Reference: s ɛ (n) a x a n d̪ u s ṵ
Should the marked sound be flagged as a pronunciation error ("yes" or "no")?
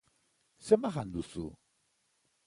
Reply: yes